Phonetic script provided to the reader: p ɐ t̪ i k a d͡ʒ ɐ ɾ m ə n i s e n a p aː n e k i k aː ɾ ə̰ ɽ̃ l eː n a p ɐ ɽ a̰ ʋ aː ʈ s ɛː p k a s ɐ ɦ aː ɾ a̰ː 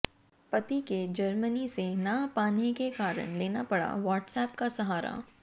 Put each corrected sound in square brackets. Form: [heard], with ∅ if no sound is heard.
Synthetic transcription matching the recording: p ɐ t̪ i k [e] d͡ʒ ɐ ɾ m ə n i s e n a p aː n e k [e] k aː ɾ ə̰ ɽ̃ l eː n a p ɐ ɽ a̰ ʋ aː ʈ s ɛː p k a s ɐ ɦ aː ɾ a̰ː